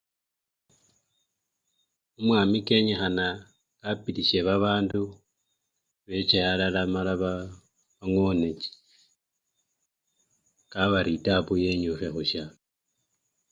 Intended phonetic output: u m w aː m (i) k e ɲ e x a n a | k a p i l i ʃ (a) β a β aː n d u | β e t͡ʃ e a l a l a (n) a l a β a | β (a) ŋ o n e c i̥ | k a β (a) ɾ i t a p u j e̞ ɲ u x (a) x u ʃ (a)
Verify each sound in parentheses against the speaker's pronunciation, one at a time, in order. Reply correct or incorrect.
correct, incorrect, incorrect, correct, correct, incorrect, correct

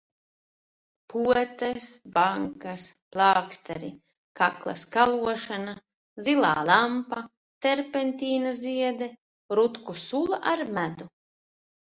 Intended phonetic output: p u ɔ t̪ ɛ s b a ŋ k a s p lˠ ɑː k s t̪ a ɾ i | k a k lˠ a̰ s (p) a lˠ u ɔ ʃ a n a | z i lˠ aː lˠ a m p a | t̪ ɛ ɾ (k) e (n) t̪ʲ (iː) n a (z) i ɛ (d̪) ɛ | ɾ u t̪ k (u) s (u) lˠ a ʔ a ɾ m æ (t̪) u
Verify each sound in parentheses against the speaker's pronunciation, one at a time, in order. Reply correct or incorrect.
incorrect, incorrect, correct, correct, correct, correct, correct, correct, incorrect

